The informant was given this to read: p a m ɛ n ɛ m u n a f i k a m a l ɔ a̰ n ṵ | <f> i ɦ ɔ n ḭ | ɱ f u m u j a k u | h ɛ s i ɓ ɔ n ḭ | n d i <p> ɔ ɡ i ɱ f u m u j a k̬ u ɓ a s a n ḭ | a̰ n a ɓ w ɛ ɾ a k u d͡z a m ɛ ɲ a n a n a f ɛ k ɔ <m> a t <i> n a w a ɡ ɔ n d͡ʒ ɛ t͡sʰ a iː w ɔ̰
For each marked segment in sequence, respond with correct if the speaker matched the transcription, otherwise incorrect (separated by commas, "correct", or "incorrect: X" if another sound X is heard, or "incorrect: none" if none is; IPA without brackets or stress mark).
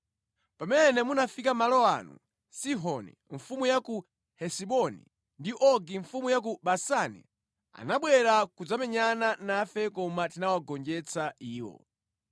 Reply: incorrect: s, incorrect: ʔ, correct, correct